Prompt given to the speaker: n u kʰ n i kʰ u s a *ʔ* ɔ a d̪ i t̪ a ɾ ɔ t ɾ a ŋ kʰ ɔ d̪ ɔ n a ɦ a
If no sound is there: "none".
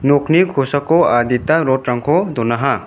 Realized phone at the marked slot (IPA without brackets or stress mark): k